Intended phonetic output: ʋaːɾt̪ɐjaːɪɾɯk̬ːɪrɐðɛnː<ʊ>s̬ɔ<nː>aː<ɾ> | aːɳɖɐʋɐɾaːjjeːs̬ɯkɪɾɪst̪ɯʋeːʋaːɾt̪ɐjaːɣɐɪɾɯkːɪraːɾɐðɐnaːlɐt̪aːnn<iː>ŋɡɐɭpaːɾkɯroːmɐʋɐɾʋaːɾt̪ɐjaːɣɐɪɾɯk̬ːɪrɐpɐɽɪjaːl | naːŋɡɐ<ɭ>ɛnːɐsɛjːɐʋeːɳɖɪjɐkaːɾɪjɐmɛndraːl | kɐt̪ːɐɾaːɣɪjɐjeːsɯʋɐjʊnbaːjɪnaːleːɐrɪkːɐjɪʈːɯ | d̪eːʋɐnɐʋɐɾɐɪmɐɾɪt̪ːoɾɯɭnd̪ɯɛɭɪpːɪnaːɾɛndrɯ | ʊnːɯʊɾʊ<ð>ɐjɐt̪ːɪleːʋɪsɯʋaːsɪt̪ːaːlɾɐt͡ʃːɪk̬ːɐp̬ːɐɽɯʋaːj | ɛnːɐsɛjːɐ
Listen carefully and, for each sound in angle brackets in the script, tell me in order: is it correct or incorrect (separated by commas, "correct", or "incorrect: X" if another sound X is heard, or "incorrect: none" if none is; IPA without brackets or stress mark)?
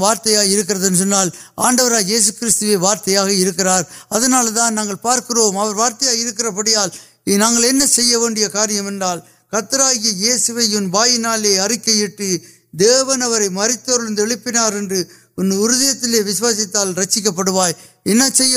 incorrect: ɯ, correct, incorrect: l, incorrect: aː, correct, correct